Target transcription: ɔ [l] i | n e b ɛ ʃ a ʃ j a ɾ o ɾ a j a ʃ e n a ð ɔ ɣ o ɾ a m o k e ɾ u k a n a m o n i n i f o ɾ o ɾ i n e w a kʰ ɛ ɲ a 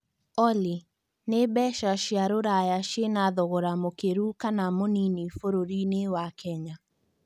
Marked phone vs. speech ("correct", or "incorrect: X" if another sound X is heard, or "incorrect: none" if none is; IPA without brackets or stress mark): correct